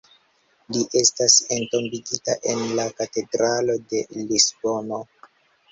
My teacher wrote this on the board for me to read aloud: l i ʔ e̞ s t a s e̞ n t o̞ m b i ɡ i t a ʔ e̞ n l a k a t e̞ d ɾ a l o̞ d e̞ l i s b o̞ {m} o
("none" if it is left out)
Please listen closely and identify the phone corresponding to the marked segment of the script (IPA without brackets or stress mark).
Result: n